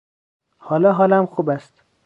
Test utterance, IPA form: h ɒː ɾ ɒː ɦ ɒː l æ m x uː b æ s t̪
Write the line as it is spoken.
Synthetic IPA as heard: h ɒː l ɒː ɦ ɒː l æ m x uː b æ s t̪